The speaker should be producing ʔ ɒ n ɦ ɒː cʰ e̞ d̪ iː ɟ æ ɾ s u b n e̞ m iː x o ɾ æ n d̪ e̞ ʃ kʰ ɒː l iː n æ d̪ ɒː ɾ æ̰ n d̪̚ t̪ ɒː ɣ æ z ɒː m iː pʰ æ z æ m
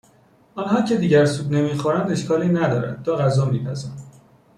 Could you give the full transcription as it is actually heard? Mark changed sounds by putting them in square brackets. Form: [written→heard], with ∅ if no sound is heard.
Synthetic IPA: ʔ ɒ n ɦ ɒː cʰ e̞ d̪ iː ɟ æ ɾ s u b n e̞ m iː x o ɾ æ n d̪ e̞ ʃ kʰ ɒː l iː n æ d̪ ɒː ɾ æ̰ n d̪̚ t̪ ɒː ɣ æ z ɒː m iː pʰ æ z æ [m→n]

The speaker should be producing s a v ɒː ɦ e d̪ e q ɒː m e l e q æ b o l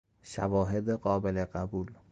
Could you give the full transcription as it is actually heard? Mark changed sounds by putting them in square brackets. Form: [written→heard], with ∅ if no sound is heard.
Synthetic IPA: [s→ʃ] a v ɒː ɦ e d̪ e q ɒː [m→b] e l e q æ b [o→u] l

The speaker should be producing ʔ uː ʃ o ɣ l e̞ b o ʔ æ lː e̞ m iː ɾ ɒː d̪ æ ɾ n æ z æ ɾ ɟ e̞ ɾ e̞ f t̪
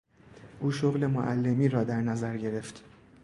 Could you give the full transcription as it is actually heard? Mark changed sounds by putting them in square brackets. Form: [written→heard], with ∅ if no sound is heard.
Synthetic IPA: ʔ uː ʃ o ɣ l e̞ [b→m] o ʔ æ lː e̞ m iː ɾ ɒː d̪ æ ɾ n æ z æ ɾ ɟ e̞ ɾ e̞ f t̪

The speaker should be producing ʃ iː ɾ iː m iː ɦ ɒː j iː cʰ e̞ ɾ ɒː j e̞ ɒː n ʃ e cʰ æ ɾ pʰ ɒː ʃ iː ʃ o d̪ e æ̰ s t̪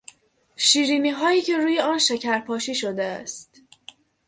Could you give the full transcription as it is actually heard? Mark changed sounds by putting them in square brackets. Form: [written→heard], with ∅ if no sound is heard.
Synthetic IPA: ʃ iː ɾ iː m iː ɦ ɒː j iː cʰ e̞ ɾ [ɒː→uː] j e̞ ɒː n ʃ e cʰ æ ɾ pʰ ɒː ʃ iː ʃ o d̪ e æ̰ s t̪

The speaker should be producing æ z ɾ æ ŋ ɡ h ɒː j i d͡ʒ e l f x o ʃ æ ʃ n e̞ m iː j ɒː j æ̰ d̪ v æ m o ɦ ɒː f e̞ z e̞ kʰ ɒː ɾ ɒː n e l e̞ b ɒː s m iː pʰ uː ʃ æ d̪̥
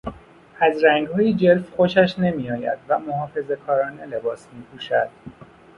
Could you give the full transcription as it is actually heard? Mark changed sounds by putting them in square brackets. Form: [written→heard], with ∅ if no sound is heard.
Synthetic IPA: æ z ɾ æ ŋ ɡ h ɒː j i d͡ʒ e l f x o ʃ æ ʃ n e̞ m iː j ɒː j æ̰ d̪ v æ m o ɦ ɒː f e̞ z e̞ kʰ ɒː ɾ ɒː n e l e̞ b ɒː s m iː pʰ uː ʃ æ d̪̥

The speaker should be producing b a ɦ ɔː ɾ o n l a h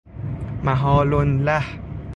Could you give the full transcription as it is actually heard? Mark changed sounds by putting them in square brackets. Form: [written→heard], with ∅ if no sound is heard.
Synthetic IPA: [b→m] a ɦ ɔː [ɾ→l] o n l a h

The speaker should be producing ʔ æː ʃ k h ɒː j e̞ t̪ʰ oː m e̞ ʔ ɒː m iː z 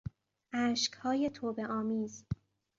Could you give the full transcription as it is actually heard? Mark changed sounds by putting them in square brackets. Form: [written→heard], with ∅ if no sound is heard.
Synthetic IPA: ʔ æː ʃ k h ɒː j e̞ t̪ʰ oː [m→b] e̞ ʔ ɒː m iː z

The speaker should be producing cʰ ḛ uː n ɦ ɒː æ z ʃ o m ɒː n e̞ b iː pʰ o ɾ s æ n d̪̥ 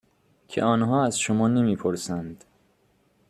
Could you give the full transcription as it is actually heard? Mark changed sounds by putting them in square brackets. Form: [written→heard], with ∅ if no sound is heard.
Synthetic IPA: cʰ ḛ [uː→ɒː] n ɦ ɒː æ z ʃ o m ɒː n e̞ [b→m] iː pʰ o ɾ s æ n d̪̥

